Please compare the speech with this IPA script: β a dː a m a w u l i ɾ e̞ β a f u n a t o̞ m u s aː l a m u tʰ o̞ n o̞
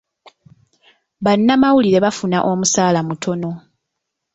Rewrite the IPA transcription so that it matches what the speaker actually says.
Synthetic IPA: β a nː a m a w u l i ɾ e̞ β a f u n a ʔ o̞ m u s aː l a m u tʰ o̞ n o̞